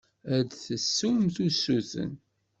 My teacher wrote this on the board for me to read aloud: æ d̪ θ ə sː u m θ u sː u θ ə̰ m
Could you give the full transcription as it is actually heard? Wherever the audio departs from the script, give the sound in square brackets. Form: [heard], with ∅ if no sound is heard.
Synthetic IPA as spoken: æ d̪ θ ə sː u m θ u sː u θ ə̰ [n]